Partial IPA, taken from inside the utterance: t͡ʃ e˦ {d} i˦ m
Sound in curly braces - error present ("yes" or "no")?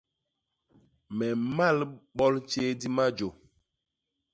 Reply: no